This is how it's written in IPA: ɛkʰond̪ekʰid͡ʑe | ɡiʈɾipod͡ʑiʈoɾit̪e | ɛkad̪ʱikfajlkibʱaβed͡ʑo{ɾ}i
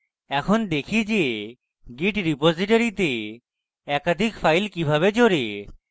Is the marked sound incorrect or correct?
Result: correct